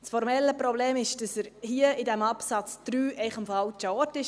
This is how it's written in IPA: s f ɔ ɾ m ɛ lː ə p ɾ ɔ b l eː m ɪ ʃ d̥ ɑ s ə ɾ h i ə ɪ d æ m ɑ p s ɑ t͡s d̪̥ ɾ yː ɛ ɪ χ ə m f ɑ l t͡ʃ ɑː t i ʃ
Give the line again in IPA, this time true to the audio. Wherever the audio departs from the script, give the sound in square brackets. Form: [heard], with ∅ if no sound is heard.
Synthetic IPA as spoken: s f ɔ ɾ m ɛ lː ə p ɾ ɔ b l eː m ɪ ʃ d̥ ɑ s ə ɾ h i ə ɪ d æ m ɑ p s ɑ t͡s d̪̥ ɾ yː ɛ ɪ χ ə m f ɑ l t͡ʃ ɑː t [ɪ] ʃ